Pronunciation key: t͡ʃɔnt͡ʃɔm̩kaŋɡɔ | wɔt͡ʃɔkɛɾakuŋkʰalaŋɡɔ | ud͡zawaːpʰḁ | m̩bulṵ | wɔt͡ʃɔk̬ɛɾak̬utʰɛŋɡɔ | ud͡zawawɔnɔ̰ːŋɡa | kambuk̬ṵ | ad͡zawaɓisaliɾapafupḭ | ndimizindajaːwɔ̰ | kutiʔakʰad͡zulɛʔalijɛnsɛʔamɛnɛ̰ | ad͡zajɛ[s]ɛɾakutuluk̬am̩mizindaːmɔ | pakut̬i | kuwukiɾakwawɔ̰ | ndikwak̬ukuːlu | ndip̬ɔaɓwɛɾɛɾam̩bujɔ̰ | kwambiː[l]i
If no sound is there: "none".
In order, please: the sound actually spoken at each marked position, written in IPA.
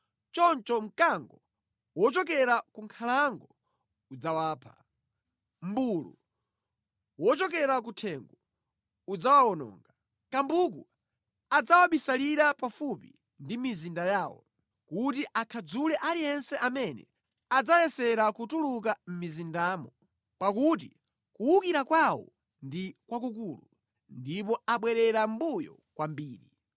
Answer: s, ɾ

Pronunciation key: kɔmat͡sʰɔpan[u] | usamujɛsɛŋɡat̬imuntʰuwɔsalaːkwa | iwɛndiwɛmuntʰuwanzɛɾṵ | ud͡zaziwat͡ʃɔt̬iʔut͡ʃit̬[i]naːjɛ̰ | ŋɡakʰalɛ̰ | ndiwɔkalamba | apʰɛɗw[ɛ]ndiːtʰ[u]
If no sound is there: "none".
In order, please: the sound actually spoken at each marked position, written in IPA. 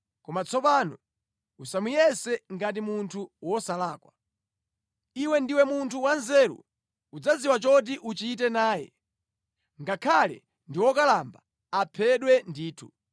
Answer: ɔ, ɛ, ɛ, u

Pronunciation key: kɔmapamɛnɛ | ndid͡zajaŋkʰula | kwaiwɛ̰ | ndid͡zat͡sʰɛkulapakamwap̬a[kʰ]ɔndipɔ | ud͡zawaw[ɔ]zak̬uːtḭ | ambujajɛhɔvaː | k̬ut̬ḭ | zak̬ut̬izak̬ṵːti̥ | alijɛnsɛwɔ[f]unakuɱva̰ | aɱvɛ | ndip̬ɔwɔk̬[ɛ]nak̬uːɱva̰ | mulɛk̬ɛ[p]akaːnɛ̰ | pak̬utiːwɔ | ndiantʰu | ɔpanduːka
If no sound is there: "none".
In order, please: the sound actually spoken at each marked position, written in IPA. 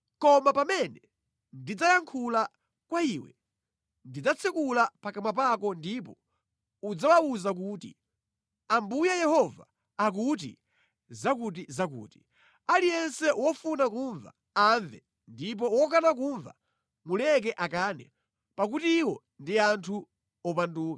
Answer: k, u, f, a, ʔ

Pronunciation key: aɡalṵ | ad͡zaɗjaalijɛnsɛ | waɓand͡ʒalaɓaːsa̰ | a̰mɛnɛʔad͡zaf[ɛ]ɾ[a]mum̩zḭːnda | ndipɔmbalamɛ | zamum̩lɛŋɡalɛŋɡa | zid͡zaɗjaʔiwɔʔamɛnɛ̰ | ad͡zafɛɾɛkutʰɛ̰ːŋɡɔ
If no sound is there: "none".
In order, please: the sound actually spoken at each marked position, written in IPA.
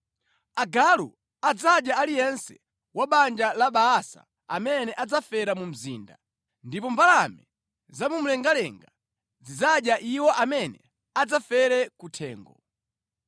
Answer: ɛ, a

